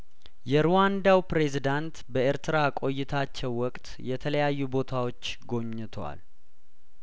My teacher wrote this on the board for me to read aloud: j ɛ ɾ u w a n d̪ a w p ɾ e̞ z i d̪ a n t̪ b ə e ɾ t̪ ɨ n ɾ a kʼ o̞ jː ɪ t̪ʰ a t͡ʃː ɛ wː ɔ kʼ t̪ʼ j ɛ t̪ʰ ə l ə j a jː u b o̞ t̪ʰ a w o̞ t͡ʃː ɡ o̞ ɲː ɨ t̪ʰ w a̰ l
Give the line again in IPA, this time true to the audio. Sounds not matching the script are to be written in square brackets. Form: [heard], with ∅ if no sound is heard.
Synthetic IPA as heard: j ɛ ɾ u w a n d̪ a w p ɾ e̞ z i d̪ a n t̪ b ə e ɾ t̪ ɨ [∅] ɾ a kʼ o̞ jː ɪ t̪ʰ a t͡ʃː ɛ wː ɔ kʼ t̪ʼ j ɛ t̪ʰ ə l ə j a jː u b o̞ t̪ʰ a w o̞ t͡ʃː ɡ o̞ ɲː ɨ t̪ʰ w a̰ l

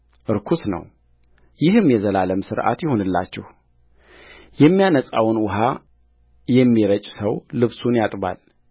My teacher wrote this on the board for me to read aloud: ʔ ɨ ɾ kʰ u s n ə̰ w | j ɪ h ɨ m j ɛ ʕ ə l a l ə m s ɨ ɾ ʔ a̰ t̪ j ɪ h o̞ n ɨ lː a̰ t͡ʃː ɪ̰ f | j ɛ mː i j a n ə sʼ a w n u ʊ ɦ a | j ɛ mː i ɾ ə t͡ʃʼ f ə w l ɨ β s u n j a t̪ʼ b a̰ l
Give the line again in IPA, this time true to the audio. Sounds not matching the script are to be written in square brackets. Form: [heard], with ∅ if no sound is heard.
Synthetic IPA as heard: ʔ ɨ ɾ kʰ u s n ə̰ w | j ɪ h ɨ m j ɛ [z] ə l a l ə m s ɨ ɾ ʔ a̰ t̪ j ɪ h o̞ n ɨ lː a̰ t͡ʃː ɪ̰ [h] | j ɛ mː i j a n ə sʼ a w n [w] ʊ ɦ a | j ɛ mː i ɾ ə t͡ʃʼ [s] ə w l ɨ β s u n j a t̪ʼ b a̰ l

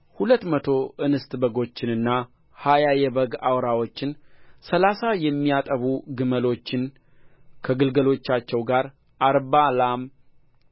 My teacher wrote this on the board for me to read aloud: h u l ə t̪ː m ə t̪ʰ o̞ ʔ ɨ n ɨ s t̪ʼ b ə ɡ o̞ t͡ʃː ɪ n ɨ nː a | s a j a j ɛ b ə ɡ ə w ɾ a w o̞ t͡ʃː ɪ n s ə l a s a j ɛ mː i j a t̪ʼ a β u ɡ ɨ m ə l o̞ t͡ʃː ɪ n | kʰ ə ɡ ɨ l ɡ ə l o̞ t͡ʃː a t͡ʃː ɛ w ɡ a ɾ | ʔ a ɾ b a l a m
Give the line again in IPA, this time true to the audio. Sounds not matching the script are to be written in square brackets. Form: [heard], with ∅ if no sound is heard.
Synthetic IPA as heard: h u l ə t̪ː m ə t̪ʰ o̞ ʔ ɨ n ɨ s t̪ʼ b ə ɡ o̞ t͡ʃː ɪ n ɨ nː a | [h] a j a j ɛ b ə ɡ [a] w ɾ a w o̞ t͡ʃː ɪ n s ə l a s a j ɛ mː i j a t̪ʼ [ə] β u ɡ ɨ m ə l o̞ t͡ʃː ɪ n | kʰ ə ɡ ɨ l ɡ ə l o̞ t͡ʃː a t͡ʃː ɛ w ɡ a ɾ | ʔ a ɾ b a l a m

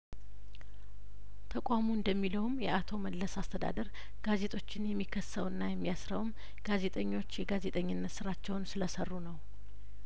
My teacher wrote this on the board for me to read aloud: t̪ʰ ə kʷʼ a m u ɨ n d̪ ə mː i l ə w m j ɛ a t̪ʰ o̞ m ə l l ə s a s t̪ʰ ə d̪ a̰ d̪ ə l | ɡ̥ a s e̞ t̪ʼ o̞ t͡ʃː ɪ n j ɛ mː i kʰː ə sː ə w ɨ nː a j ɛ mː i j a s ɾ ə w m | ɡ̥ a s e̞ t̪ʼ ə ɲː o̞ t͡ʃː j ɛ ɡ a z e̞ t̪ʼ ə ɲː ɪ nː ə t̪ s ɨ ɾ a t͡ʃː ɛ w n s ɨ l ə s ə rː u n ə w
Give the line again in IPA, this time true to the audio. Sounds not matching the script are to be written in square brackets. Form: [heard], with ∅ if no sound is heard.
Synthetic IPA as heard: t̪ʰ ə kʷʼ a m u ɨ n d̪ ə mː i l ə w m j ɛ a t̪ʰ o̞ m ə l l ə s a s t̪ʰ ə d̪ a̰ d̪ ə [ɾ] | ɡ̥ a [z] e̞ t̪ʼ o̞ t͡ʃː ɪ n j ɛ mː i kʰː ə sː ə w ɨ nː a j ɛ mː i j a s ɾ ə w m | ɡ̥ a [z] e̞ t̪ʼ ə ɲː o̞ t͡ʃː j ɛ ɡ a z e̞ t̪ʼ ə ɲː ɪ nː ə t̪ s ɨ ɾ a t͡ʃː ɛ w n s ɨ l ə s ə rː u n ə w

